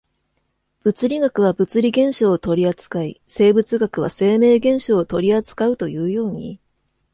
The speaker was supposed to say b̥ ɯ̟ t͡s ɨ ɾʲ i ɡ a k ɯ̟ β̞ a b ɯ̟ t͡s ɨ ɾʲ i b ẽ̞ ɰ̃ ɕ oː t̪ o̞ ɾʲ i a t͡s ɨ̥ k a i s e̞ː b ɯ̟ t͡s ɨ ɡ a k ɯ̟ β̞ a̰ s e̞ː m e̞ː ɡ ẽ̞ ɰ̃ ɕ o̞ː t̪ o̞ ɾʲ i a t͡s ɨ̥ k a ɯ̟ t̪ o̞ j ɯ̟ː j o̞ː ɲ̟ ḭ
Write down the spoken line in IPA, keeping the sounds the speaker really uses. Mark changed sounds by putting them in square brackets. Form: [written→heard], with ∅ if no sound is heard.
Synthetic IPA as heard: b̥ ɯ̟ t͡s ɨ ɾʲ i ɡ a k ɯ̟ β̞ a b ɯ̟ t͡s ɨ ɾʲ i [b→ɡ] ẽ̞ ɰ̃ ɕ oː t̪ o̞ ɾʲ i a t͡s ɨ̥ k a i s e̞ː b ɯ̟ t͡s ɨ ɡ a k ɯ̟ β̞ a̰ s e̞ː m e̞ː ɡ ẽ̞ ɰ̃ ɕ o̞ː t̪ o̞ ɾʲ i a t͡s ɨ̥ k a ɯ̟ t̪ o̞ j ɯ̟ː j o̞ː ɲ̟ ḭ